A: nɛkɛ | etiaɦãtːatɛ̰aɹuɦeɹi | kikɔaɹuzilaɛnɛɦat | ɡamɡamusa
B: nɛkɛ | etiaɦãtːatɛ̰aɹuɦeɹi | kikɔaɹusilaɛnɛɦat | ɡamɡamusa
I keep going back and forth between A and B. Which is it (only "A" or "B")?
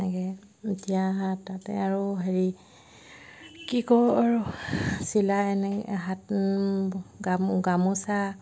B